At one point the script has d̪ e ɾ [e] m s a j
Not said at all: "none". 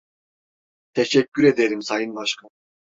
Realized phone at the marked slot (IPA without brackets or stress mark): i